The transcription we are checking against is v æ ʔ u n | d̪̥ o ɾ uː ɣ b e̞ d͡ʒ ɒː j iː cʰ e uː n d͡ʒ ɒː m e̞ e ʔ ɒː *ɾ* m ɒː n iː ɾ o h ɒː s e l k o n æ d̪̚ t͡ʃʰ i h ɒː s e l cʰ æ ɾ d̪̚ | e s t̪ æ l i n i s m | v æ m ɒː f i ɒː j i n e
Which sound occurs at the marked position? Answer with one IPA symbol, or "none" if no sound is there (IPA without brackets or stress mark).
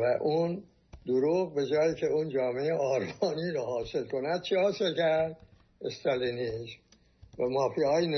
ɾ